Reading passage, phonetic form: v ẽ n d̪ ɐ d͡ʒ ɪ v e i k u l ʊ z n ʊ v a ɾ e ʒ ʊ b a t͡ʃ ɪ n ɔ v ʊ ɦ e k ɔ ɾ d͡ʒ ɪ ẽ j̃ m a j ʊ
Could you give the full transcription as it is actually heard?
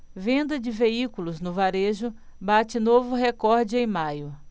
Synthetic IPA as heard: v ẽ n d̪ ɐ d͡ʒ ɪ v e i k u l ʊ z n ʊ v a ɾ e ʒ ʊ b a t͡ʃ ɪ n o v ʊ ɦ e k ɔ ɾ d͡ʒ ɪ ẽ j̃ m a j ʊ